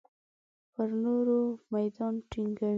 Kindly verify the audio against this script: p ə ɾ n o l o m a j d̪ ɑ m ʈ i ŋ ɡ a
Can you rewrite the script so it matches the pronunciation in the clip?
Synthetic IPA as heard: p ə ɾ n o ɾ o m a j d̪ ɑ n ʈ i ŋ ɡ a

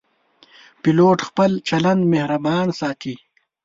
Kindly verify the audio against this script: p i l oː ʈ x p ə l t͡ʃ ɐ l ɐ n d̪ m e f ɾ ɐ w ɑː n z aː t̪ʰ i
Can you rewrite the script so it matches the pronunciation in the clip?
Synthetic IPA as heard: p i l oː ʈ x p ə l t͡ʃ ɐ l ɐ n d̪ m e h ɾ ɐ b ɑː n s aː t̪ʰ i

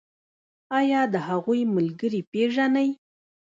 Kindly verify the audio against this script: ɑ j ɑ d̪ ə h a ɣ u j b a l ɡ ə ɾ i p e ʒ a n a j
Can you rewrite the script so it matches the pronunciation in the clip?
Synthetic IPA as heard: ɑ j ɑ d̪ ə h a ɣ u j m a l ɡ ə ɾ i p e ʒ a n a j

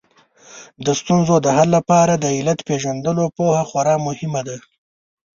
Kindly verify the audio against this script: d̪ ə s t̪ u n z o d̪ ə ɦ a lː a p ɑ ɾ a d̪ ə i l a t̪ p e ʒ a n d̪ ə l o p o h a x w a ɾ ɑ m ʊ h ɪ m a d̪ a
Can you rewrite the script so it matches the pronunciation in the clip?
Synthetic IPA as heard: d̪ ə s t̪ u n z o d̪ ə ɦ a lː a p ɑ ɾ a d̪ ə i l a t̪ p e ʒ a n d̪ ə l o p o h a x w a ɾ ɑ m ʊ h ɪ m a d̪ a

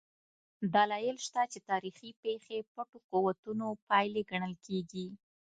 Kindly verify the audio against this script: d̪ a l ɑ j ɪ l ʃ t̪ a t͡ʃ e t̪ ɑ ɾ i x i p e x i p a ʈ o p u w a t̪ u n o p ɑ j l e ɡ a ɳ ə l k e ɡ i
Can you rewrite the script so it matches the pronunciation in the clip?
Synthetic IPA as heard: d̪ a l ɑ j ɪ l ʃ t̪ a t͡ʃ e t̪ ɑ ɾ i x i p e x e p a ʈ o q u w a t̪ u n o p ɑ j l e ɡ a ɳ ə l k e ɡ i

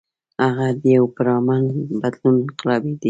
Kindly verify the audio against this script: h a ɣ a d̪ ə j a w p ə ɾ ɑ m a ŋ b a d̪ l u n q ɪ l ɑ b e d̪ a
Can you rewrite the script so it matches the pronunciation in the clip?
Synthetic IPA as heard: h a ɣ a d̪ ə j a w p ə ɾ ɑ m a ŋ b a d̪ l u n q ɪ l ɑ b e d̪ i

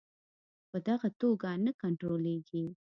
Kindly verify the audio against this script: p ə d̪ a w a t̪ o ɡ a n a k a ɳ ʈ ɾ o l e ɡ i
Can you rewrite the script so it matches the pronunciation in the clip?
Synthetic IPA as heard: p ə d̪ a ɣ a t̪ o ɡ a n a k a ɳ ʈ ɾ o l e ɡ i

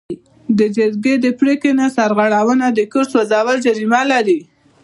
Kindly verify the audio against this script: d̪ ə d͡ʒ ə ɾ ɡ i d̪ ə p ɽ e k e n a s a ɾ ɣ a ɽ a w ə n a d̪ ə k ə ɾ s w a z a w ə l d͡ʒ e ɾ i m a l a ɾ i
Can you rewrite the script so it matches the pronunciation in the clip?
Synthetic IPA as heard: d̪ ə d͡ʒ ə ɾ ɡ e d̪ ə p ɽ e k e n a s a ɾ ɣ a ɽ a w ə n a d̪ ə k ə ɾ s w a z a w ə l d͡ʒ a ɾ i m a l a ɾ i

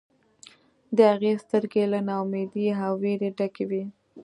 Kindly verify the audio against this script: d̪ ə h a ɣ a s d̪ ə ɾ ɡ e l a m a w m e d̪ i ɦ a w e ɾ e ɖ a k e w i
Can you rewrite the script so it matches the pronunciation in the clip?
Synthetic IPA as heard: d̪ ə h a ɣ e s t̪ ə ɾ ɡ e l a n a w m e d̪ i ɦ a w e ɾ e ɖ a k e w i

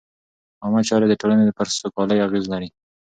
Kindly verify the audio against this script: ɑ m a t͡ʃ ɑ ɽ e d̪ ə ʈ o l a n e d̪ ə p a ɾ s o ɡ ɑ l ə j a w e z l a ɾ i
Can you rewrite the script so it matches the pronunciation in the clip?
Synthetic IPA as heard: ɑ m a t͡ʃ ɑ ɾ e d̪ ə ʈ o l a n e d̪ ə p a ɾ s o k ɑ l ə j a ɣ e z l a ɾ i

